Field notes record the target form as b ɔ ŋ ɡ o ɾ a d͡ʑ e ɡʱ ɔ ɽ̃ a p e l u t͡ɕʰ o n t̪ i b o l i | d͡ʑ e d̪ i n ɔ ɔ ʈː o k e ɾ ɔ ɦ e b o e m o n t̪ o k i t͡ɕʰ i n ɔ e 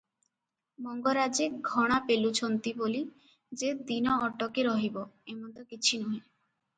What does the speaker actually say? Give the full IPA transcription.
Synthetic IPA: m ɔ ŋ ɡ o ɾ a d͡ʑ e ɡʱ ɔ ɽ̃ a p e l u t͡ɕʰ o n t̪ i b o l i | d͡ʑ e d̪ i n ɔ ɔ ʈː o k e ɾ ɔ ɦ i b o e m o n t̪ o k i t͡ɕʰ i n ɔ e